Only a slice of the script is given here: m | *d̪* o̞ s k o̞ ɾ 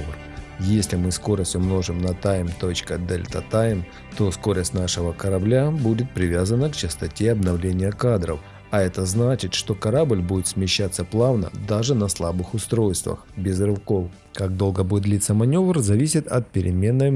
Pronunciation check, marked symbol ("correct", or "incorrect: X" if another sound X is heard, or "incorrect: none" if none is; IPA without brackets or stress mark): incorrect: t̪